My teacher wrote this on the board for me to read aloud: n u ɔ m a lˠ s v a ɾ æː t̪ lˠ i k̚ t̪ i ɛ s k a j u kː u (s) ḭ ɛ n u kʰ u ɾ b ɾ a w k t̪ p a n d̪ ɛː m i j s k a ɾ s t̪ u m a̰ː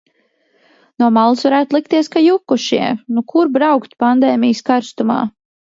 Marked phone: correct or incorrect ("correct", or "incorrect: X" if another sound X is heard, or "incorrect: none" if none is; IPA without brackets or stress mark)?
incorrect: ʃ